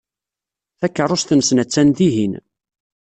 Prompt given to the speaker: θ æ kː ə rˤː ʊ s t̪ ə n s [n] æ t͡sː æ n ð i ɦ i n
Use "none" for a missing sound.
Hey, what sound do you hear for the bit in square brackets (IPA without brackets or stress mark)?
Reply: n